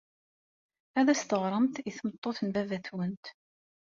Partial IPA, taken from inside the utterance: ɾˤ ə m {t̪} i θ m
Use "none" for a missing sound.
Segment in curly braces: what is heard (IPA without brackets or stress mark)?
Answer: t̪